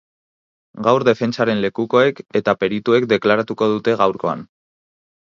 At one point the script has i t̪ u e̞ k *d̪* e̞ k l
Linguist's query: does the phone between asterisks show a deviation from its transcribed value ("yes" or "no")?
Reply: no